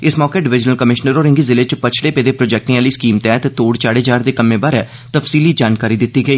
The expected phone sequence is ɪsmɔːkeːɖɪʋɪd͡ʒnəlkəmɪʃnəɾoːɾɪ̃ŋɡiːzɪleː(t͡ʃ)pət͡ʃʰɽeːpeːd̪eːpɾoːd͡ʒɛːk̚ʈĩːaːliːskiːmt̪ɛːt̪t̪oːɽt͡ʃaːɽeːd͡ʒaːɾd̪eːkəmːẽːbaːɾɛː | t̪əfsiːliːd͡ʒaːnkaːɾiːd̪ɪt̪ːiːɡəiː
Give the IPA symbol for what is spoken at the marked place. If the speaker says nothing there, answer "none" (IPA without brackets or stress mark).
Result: t͡ʃ